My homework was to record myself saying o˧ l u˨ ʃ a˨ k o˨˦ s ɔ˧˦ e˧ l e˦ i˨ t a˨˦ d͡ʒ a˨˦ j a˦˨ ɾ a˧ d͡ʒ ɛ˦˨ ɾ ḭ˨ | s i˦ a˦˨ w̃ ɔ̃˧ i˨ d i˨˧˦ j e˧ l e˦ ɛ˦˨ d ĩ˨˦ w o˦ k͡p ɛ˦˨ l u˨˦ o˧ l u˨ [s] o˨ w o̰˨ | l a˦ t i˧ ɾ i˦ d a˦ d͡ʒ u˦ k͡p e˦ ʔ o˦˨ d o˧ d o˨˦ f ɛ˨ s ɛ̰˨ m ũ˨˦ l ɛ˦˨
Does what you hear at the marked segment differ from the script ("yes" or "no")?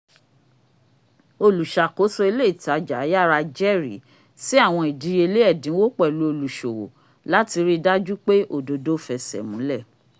yes